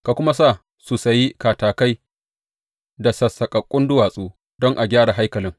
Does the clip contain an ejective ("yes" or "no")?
yes